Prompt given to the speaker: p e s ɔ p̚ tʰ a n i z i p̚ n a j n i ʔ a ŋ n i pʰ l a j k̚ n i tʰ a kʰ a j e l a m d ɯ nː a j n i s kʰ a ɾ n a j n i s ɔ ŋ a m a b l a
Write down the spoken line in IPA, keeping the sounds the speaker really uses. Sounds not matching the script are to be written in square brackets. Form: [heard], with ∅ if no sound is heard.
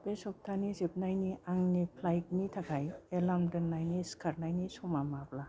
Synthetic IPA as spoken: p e s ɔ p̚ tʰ a n i z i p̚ n a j n i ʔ a ŋ n i pʰ l a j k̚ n i tʰ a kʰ a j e l a m d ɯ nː a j n i s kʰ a ɾ n a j n i s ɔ [m] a m a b l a